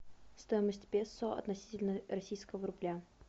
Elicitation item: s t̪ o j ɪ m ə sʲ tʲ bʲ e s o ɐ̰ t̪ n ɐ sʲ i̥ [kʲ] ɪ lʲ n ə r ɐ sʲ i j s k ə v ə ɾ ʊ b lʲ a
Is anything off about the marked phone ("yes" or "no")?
yes